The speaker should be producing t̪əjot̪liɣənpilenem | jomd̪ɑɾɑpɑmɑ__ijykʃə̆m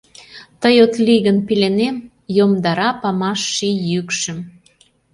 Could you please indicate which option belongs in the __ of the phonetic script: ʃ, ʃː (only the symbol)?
ʃː